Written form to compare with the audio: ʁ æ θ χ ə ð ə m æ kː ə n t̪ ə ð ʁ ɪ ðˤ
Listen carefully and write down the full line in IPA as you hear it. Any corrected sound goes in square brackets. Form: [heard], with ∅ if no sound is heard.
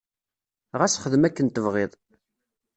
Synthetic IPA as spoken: ʁ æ [s] χ ə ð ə m æ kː ə n t̪ ə [v] ʁ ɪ ðˤ